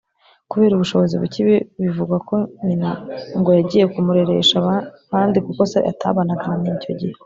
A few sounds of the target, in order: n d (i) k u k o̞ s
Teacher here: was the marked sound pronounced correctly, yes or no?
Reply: yes